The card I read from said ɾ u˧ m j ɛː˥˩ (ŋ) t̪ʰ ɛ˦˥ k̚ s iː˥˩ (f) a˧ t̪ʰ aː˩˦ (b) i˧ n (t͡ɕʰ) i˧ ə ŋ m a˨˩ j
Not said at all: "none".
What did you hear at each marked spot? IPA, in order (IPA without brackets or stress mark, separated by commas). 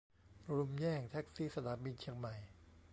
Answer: ŋ, s, b, t͡ɕʰ